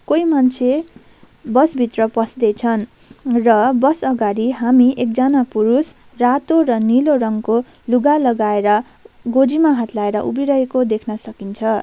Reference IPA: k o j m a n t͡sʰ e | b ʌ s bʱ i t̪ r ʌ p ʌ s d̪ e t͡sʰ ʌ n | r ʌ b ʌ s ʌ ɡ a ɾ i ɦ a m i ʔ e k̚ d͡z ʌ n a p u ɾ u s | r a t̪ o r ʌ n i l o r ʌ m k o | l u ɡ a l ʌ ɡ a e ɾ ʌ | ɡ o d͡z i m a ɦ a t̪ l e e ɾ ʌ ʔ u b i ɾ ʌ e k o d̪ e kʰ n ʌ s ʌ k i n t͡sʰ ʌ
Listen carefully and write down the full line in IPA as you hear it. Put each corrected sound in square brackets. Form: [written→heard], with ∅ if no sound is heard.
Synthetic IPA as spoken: k o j m a n t͡sʰ e | b ʌ s bʱ i t̪ r ʌ p ʌ s d̪ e t͡sʰ ʌ n | r ʌ b ʌ s ʌ ɡ a ɾ i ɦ a m i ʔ e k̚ d͡z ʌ n a p u ɾ u s | r a t̪ o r ʌ n i l o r ʌ [m→ŋ] k o | l u ɡ a l ʌ ɡ a e ɾ ʌ | ɡ o d͡z i m a ɦ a t̪ l [e→a] e ɾ ʌ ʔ u b i ɾ ʌ e k o d̪ e kʰ n ʌ s ʌ k i n t͡sʰ ʌ